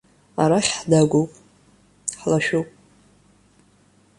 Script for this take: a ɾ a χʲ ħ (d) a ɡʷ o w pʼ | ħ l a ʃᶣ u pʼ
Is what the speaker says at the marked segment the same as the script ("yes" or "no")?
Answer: yes